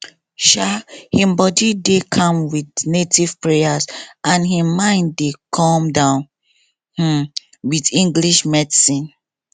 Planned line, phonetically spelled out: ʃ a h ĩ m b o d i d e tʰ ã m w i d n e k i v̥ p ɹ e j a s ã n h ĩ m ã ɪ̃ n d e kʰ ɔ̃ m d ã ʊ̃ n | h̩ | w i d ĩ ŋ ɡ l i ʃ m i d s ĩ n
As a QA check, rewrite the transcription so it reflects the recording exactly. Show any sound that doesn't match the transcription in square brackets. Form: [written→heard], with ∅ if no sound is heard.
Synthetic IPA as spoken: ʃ a h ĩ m b [o→ɔ] d i d e [tʰ→kʰ] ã m w i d n e [k→t] i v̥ p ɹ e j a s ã n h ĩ m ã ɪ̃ n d e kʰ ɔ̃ m d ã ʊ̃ n | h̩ | w i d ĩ ŋ ɡ l i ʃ m [i→ɛ] d s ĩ n